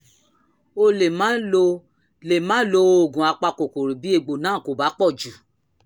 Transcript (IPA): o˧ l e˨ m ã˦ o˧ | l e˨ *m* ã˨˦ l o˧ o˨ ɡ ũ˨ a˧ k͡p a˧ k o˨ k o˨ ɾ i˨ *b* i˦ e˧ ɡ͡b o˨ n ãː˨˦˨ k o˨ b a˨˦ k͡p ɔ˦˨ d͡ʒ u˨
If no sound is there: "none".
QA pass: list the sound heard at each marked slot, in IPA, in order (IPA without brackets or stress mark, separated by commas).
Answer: m, b